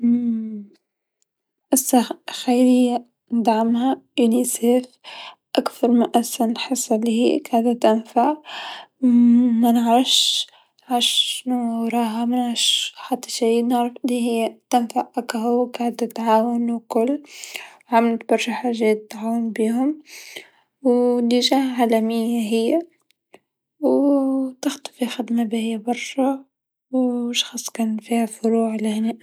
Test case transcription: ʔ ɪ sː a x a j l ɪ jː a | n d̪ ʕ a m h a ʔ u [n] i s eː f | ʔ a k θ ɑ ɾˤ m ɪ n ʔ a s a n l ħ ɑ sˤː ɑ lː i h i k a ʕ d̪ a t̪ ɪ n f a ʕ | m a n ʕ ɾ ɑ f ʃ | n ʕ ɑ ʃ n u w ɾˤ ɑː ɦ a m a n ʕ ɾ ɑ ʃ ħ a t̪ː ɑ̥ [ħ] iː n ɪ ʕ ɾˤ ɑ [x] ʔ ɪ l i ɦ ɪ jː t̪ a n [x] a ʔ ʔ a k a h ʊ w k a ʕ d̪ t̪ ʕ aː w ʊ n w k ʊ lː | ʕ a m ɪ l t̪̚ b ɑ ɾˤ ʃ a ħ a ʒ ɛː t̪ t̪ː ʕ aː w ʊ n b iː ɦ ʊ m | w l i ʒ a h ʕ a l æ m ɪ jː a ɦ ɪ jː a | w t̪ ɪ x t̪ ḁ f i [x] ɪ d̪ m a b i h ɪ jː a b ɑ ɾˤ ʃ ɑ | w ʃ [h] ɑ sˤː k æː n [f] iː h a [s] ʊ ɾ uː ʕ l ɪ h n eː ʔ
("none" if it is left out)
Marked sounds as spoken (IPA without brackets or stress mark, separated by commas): n, ʃ, f, f, x, x, f, f